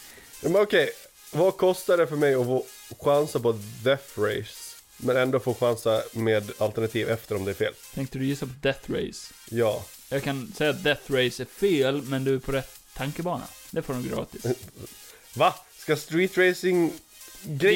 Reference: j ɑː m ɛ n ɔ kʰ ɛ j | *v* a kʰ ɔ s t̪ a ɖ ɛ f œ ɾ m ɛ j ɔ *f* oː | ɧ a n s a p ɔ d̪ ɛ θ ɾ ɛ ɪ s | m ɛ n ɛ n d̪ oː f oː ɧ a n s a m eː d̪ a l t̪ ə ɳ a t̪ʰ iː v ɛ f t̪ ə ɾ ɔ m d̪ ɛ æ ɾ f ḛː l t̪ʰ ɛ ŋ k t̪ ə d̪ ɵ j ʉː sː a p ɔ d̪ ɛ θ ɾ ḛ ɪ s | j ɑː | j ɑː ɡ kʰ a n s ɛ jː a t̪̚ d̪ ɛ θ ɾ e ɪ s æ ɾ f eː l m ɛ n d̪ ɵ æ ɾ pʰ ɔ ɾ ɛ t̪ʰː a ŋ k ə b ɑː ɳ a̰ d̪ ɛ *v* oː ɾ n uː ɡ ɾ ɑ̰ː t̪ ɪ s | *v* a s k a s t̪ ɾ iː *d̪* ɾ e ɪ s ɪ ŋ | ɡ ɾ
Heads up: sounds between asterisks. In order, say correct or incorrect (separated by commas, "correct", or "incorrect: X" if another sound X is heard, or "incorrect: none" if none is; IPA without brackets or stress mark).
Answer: correct, correct, incorrect: f, correct, incorrect: t̪